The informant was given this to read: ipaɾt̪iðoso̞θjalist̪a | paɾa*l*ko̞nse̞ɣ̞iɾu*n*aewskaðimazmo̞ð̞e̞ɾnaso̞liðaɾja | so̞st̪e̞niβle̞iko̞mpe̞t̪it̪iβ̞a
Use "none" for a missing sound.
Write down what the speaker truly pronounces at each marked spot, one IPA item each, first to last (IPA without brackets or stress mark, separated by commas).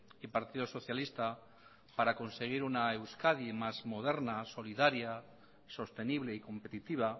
none, n